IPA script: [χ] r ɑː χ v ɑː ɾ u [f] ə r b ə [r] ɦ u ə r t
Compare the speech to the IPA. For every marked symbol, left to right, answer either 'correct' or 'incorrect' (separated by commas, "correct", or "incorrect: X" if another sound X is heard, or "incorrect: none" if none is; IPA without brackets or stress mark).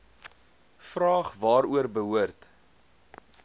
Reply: incorrect: f, incorrect: none, incorrect: none